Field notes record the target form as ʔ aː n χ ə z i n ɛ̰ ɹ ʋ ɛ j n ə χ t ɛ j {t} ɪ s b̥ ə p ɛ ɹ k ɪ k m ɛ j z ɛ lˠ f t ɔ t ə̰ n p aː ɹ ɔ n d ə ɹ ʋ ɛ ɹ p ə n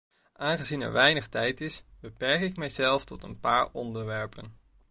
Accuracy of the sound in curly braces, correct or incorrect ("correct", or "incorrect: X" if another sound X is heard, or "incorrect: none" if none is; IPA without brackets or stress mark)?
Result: correct